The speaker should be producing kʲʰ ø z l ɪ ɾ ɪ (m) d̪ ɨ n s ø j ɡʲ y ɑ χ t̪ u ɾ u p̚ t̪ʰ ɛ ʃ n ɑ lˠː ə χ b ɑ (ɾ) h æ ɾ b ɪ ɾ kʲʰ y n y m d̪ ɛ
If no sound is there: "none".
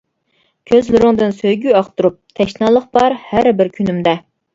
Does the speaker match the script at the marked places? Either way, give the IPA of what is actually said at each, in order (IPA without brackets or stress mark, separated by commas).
ŋ, ɾ